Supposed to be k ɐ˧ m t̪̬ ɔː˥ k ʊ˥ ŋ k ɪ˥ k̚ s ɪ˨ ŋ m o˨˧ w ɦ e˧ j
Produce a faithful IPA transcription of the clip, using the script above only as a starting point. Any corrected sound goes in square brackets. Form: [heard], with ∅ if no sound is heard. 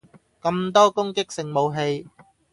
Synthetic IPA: k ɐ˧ m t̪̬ ɔː˥ k ʊ˥ ŋ k ɪ˥ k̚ s ɪ˨ ŋ m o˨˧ w ɦ e˧ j